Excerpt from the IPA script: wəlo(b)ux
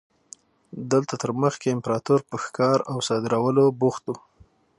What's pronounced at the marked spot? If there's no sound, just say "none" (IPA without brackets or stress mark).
b